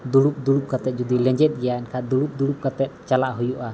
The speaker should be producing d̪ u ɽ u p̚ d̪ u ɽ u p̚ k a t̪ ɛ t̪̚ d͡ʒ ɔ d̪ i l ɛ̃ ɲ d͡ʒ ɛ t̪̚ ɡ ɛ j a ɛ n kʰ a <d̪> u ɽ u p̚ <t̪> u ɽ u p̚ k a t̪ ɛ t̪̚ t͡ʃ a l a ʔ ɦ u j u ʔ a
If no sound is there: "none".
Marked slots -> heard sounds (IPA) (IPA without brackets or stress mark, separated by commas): d̪, d̪